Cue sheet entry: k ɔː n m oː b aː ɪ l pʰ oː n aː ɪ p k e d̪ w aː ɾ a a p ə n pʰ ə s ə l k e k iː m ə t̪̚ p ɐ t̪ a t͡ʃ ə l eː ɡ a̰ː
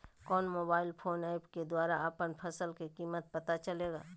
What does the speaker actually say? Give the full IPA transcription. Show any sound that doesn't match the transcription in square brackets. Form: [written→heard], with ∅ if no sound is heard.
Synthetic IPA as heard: k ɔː n m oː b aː ɪ l pʰ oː n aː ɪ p k e d̪ w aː ɾ a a p ə n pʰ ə s ə l k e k iː m ə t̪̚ p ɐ t̪ a t͡ʃ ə l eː ɡ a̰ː

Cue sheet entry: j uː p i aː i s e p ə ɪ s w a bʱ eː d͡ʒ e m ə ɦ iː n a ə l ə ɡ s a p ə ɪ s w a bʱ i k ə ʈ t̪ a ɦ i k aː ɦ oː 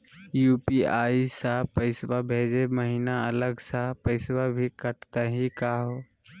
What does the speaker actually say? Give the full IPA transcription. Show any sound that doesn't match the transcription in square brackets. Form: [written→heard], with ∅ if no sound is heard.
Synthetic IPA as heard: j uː p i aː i s [e→a] p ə ɪ s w a bʱ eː d͡ʒ e m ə ɦ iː n a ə l ə ɡ s a p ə ɪ s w a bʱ i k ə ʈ t̪ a ɦ i k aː ɦ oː

